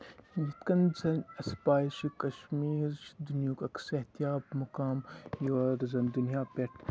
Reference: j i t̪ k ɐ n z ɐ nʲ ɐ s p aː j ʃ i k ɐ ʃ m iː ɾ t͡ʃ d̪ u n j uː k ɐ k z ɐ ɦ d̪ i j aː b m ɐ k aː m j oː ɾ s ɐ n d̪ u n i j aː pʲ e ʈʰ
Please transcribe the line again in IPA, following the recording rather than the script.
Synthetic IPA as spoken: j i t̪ k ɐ n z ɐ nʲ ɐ s p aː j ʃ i k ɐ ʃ m iː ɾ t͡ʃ d̪ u n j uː k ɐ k s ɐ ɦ t̪ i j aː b m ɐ k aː m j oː ɾ z ɐ n d̪ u n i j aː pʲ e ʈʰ